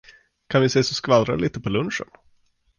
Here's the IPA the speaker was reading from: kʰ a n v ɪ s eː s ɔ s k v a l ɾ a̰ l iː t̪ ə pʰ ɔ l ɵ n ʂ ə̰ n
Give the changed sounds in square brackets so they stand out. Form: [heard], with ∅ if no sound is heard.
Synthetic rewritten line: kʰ a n v ɪ s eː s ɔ s k v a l ɾ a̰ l iː t̪ ə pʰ ɔ l ɵ n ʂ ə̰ n